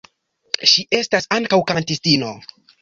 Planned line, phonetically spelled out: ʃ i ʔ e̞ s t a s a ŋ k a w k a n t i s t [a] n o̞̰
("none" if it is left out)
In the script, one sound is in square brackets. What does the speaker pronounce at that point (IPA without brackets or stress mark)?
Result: i